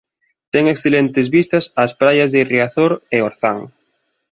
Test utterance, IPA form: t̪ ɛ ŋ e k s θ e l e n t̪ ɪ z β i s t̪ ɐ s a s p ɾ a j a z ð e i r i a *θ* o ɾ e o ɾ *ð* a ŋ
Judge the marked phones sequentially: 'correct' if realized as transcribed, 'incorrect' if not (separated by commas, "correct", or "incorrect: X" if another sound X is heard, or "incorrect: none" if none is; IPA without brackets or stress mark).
correct, incorrect: θ